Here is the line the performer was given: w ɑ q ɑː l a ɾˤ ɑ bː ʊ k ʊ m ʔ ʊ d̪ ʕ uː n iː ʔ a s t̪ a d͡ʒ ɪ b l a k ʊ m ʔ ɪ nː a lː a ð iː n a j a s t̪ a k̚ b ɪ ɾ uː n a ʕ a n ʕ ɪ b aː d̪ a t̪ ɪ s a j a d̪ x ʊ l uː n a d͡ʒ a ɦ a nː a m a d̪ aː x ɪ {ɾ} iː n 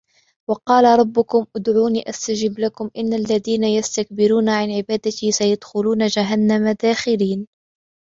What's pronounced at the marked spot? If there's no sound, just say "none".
l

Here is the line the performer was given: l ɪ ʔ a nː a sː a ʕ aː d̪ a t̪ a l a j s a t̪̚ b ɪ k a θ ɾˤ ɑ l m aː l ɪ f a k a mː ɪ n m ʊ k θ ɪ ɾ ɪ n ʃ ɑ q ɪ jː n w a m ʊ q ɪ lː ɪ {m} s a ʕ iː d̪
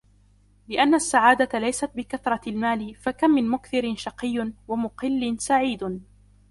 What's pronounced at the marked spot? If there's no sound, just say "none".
n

